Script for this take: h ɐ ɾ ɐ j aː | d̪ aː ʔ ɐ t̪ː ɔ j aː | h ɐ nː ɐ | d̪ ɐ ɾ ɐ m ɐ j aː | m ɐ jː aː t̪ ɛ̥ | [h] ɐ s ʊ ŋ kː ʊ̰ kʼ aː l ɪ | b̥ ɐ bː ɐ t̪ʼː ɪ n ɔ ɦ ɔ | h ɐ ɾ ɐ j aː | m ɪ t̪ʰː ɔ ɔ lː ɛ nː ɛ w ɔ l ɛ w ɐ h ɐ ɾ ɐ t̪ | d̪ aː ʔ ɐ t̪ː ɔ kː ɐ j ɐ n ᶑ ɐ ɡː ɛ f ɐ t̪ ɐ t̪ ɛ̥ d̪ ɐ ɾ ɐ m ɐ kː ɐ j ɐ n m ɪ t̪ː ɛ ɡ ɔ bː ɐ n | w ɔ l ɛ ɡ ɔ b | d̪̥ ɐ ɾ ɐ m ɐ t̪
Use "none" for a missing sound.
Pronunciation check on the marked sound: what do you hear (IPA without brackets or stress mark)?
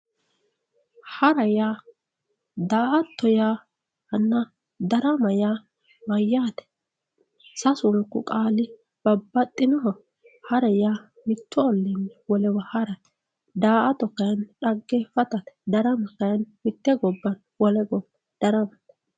s